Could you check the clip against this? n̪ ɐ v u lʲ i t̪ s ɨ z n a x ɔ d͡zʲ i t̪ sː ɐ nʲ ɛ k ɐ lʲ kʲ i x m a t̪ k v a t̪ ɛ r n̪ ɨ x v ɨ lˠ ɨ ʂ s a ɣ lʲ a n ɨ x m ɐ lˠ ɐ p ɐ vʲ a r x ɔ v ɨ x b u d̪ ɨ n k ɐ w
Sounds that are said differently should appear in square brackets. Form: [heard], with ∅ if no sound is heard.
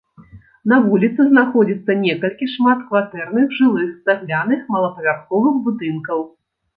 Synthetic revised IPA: n̪ ɐ v u lʲ i t̪ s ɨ z n a x ɔ d͡zʲ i t̪ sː ɐ nʲ ɛ k ɐ lʲ kʲ i [ʂ] m a t̪ k v a t̪ ɛ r n̪ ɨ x [ʐ] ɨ lˠ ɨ [x] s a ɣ lʲ a n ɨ x m ɐ lˠ ɐ p ɐ vʲ a r x ɔ v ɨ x b u d̪ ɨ n k ɐ w